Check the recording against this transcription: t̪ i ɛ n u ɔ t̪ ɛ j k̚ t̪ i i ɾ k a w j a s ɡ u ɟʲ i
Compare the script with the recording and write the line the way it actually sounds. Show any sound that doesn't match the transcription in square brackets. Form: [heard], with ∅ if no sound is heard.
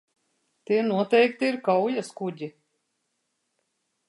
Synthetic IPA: t̪ i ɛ n u ɔ t̪ ɛ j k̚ t̪ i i ɾ k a w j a s [k] u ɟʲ i